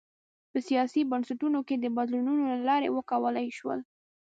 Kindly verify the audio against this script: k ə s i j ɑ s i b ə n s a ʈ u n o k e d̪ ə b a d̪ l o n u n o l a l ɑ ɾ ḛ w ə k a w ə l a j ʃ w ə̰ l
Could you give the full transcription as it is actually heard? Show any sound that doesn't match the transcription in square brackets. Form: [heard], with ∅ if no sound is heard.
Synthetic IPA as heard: [p] ə s i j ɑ s i b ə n s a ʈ u n o k e d̪ ə b a d̪ l [u] n u n o l a l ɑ ɾ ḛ w ə k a w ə l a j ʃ w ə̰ l